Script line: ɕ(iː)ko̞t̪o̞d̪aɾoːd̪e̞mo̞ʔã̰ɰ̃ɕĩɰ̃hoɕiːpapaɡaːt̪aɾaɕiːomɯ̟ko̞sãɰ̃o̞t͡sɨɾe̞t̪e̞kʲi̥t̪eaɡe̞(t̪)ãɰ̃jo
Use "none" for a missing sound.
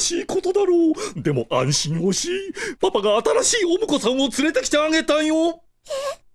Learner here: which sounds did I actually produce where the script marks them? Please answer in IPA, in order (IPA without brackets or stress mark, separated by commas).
iː, t̪